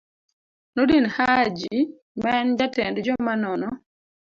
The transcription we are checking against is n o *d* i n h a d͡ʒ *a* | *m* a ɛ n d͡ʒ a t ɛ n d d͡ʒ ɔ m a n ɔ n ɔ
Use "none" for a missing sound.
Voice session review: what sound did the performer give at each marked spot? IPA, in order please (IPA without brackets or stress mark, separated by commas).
d, i, m